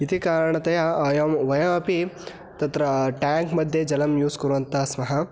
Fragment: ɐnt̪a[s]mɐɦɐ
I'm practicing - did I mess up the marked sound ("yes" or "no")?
no